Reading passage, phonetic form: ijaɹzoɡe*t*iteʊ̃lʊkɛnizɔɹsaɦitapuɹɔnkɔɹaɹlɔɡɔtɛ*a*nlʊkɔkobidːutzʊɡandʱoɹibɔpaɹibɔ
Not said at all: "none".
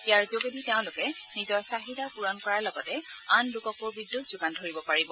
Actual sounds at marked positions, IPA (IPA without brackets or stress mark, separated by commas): d, a